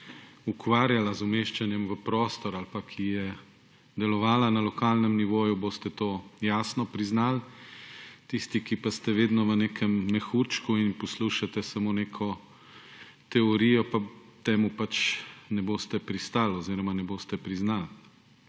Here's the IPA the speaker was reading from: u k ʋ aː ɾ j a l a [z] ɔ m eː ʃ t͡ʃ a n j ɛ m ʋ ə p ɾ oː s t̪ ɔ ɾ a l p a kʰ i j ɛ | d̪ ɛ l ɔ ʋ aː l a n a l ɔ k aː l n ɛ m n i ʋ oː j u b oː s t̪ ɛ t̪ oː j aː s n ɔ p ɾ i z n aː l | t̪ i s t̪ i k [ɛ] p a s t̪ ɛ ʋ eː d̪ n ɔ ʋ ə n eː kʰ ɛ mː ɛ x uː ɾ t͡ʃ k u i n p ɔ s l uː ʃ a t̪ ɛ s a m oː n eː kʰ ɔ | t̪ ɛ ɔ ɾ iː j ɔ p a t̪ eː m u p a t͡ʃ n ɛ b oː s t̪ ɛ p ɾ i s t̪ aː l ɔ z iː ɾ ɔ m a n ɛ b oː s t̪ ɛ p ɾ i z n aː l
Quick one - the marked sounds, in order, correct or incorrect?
correct, incorrect

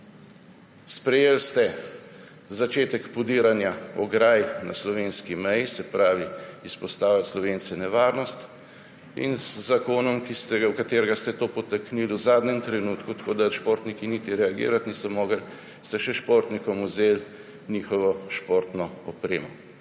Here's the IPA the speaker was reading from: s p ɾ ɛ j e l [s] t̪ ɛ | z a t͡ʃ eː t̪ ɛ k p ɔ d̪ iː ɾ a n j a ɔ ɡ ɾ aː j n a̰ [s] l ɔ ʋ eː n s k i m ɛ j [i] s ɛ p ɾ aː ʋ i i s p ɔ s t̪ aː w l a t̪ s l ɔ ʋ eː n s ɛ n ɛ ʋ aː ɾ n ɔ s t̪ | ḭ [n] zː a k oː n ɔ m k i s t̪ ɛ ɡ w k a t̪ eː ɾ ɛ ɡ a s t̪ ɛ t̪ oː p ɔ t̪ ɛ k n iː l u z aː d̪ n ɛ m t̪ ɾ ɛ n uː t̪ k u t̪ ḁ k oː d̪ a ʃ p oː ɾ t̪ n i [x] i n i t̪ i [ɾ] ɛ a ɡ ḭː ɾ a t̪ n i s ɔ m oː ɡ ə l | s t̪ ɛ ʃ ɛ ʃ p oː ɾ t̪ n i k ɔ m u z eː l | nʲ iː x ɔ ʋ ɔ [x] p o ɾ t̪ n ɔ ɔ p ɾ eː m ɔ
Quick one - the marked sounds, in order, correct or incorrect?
correct, correct, correct, correct, incorrect, correct, incorrect

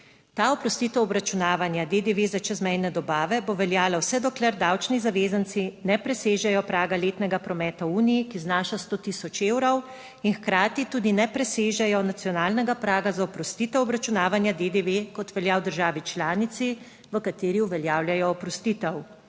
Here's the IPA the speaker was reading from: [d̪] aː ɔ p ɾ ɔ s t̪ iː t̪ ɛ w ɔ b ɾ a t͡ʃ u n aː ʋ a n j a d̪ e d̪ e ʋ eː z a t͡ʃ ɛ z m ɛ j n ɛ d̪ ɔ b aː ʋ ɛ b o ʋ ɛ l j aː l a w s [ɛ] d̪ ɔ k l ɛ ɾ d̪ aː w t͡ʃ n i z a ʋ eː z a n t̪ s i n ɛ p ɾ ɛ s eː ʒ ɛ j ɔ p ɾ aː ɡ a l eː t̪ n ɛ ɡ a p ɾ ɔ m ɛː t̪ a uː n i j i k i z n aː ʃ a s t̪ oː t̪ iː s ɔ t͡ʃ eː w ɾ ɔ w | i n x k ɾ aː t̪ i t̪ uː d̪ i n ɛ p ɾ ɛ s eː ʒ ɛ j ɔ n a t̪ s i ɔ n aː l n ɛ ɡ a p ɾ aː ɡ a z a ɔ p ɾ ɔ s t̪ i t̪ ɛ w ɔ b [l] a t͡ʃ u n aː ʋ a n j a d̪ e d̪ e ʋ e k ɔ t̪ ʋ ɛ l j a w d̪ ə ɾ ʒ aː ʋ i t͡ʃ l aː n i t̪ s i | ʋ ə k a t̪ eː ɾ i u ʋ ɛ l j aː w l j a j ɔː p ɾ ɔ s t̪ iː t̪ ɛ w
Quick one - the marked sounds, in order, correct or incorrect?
incorrect, correct, incorrect

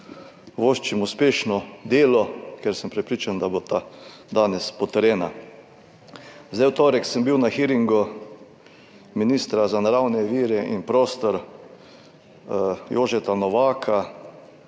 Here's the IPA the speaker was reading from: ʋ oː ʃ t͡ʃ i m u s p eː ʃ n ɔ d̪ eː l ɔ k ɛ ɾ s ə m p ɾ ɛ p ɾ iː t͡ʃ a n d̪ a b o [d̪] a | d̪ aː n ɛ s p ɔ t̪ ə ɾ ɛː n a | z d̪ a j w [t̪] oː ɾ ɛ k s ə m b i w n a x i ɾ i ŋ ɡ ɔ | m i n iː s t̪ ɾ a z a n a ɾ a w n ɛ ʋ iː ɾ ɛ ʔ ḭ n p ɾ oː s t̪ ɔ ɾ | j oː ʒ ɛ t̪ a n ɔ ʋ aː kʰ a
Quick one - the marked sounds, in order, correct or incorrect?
incorrect, correct

